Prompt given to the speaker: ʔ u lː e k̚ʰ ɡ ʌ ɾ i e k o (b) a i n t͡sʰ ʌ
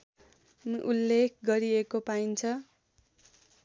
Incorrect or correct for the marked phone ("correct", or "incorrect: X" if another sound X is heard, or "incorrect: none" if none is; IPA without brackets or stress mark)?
incorrect: p